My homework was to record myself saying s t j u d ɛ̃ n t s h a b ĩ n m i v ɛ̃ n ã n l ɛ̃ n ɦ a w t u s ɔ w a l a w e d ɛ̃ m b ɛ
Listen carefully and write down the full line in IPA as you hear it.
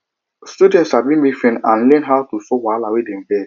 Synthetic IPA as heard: s t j u d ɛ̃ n t s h a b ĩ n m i f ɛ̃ n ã n l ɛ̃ n ɦ a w t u s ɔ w a l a w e d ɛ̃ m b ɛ

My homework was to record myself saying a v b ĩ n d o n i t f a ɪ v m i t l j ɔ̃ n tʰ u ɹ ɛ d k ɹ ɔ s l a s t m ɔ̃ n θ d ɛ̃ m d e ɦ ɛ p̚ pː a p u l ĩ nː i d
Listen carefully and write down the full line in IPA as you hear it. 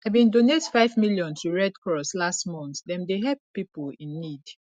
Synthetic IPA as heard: a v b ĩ n d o n e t f a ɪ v m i l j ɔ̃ n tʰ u ɹ ɛ d k ɹ ɔ s l a s t m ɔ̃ n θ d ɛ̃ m d e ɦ ɛ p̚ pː i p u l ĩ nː i d

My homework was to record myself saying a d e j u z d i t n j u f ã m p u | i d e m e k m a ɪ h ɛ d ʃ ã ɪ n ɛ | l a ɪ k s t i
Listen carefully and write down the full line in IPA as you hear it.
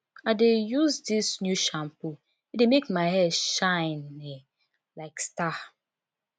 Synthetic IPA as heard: a d e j u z d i s n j u ʃ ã m p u | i d e m e k m a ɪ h ɛ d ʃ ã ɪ n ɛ | l a ɪ k s t a

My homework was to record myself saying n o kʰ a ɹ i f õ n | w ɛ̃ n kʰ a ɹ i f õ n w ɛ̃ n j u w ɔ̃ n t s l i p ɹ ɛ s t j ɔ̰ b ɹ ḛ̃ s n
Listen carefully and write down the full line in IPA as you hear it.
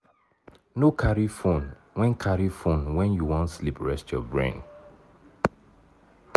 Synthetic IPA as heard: n o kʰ a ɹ i f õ n | w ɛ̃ n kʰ a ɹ i f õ n w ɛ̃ n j u w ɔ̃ n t s l i p ɹ ɛ s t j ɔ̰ b ɹ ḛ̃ n

